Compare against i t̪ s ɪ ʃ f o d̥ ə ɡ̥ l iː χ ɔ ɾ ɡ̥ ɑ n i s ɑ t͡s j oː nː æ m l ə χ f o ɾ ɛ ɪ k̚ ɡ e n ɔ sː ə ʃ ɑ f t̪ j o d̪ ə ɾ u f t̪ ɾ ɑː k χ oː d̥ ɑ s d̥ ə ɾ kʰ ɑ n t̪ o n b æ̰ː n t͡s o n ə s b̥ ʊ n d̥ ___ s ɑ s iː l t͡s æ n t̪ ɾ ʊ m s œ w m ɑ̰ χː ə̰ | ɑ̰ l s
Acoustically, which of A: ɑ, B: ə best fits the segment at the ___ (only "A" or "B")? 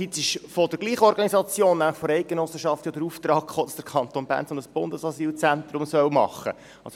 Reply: B